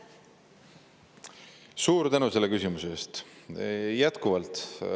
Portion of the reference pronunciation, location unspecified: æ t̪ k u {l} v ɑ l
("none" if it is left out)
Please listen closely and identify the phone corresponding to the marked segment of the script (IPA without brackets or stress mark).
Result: none